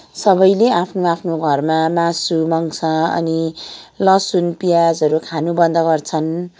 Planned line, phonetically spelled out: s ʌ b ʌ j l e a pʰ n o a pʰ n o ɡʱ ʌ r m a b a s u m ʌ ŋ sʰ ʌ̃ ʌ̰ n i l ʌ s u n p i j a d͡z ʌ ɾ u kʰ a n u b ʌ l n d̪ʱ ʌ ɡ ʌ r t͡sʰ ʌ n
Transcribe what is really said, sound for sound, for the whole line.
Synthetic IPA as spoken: s ʌ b ʌ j l e a pʰ n o a pʰ n o ɡʱ ʌ r m a m a s u m ʌ ŋ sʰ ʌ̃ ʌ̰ n i l ʌ s u n p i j a d͡z ʌ ɾ u kʰ a n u b ʌ n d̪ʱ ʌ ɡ ʌ r t͡sʰ ʌ n

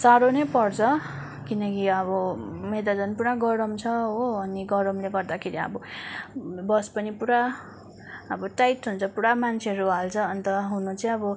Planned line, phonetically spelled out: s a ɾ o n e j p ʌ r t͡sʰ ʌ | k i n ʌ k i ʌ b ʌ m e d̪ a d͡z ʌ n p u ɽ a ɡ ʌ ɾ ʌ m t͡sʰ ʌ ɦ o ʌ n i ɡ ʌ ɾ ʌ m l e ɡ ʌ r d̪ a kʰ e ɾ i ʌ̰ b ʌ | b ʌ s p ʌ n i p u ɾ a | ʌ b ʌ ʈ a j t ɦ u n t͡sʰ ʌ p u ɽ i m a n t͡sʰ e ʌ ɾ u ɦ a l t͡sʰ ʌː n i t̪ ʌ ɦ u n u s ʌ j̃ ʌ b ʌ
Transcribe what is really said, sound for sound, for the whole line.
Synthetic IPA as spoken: s a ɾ o n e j p ʌ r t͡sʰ ʌ | k i n ʌ k i ʌ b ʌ m e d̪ a d͡z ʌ n p u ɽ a ɡ ʌ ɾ ʌ m t͡sʰ ʌ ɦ o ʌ n i ɡ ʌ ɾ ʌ m l e ɡ ʌ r d̪ a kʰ e ɾ i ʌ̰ b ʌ | b ʌ s p ʌ n i p u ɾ a | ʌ b ʌ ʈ a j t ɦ u n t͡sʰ ʌ p u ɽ a m a n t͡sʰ e ʌ ɾ u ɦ a l t͡sʰ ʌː n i t̪ ʌ ɦ u n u t͡s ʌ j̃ ʌ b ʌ

